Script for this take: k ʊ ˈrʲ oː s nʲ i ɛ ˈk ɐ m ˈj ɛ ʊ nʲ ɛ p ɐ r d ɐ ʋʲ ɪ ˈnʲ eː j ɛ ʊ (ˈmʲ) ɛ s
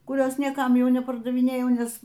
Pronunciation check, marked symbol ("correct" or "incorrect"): incorrect